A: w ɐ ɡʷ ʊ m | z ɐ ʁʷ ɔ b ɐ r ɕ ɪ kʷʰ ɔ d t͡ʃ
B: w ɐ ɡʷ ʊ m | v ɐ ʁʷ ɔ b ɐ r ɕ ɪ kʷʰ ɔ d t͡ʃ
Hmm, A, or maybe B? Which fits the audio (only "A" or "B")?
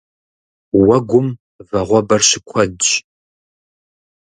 B